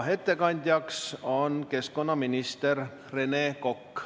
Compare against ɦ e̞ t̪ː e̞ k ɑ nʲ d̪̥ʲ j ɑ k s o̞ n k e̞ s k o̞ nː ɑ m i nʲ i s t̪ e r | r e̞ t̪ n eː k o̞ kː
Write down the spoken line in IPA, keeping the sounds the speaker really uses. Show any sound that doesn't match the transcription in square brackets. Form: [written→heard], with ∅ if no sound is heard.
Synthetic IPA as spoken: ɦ e̞ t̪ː e̞ k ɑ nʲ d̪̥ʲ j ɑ k s o̞ n k e̞ s k o̞ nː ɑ m i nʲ i s t̪ e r | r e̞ [t̪→∅] n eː k o̞ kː